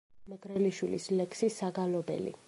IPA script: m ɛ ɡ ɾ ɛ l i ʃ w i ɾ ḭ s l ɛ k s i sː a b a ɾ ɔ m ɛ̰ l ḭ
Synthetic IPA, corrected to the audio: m ɛ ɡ ɾ ɛ l i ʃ w i l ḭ s l ɛ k s i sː a ɡ a l ɔ b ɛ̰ l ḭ